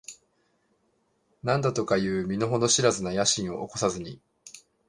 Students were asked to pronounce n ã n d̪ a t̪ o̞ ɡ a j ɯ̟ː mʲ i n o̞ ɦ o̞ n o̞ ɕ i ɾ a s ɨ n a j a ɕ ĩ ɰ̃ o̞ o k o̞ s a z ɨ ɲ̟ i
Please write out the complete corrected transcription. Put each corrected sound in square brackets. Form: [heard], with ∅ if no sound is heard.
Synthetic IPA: n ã n d̪ a t̪ o̞ [k] a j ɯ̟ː mʲ i n o̞ ɦ o̞ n o̞ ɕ i ɾ a [z] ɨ n a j a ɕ ĩ ɰ̃ o̞ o k o̞ s a z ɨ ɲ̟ i